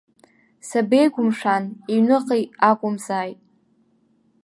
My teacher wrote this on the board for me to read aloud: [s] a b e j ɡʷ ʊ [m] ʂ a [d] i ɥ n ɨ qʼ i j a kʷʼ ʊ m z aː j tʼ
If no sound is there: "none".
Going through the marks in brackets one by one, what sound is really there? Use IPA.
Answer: s, m, n

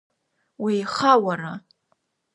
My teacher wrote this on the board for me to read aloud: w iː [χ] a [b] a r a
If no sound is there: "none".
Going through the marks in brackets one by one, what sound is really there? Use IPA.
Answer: χ, w

